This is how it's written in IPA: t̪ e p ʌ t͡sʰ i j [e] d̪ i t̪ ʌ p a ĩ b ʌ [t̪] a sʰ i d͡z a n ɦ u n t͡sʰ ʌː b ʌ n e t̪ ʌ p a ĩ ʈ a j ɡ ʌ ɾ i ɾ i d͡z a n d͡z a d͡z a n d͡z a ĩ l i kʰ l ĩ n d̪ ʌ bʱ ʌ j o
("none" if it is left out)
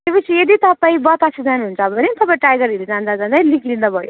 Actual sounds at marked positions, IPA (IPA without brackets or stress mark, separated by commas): e, t̪